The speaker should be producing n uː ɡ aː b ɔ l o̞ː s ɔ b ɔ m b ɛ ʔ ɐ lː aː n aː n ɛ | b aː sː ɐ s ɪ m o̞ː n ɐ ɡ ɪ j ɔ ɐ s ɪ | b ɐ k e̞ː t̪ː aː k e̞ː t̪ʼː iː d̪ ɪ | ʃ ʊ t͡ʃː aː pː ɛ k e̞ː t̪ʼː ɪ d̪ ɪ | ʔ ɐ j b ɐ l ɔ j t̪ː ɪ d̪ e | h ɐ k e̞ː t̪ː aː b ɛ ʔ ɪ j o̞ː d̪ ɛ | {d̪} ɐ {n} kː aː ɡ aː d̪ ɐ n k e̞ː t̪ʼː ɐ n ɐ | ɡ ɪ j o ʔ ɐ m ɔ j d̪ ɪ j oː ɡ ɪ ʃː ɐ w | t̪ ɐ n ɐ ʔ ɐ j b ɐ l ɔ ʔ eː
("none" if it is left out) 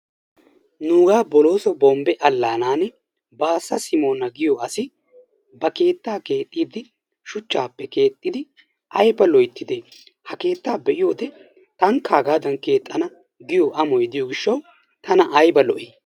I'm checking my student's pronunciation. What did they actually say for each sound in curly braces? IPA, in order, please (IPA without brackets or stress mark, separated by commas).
t̪, ŋ